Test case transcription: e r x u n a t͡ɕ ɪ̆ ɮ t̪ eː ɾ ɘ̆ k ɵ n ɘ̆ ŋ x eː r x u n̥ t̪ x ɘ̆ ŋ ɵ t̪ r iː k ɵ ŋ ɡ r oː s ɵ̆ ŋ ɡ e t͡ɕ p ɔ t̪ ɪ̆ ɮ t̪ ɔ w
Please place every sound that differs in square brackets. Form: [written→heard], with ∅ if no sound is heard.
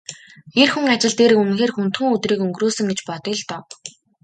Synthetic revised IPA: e r x u [n→ŋ] a t͡ɕ ɪ̆ ɮ t̪ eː ɾ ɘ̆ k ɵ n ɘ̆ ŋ x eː r x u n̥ t̪ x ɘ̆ ŋ ɵ t̪ r iː k ɵ ŋ ɡ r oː s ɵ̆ ŋ ɡ e t͡ɕ p ɔ t̪ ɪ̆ ɮ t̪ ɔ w